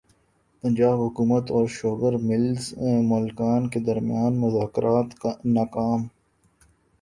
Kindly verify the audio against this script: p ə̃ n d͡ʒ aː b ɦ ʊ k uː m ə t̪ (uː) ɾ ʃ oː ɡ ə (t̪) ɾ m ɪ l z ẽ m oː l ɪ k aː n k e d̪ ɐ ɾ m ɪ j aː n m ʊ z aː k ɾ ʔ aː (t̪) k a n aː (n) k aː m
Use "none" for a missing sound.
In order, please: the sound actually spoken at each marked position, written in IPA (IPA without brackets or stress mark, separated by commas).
ɔː, none, t̪, none